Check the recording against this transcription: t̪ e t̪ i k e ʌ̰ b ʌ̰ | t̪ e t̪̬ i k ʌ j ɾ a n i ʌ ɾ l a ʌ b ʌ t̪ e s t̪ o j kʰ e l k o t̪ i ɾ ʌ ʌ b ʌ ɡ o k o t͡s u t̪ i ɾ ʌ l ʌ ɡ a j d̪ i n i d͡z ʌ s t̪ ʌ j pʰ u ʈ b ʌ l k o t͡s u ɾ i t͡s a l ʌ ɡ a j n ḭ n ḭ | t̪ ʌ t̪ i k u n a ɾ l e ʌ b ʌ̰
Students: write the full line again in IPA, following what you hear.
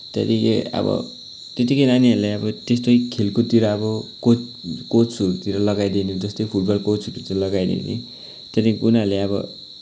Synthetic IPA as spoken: t̪ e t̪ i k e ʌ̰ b ʌ̰ | t̪ e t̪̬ i k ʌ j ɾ a n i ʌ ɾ l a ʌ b ʌ t̪ e s t̪ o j kʰ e l k o t̪ i ɾ ʌ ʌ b ʌ k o k o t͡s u t̪ i ɾ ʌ l ʌ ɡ a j d̪ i n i d͡z ʌ s t̪ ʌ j pʰ u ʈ b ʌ l k o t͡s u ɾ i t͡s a l ʌ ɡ a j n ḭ n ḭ | t̪ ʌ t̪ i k u n a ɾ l e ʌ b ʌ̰